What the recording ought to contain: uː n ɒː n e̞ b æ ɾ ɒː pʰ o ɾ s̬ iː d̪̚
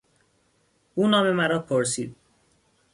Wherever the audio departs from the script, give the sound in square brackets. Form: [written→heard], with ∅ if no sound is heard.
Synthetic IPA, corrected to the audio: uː n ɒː [n→m] e̞ [b→m] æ ɾ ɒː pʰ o ɾ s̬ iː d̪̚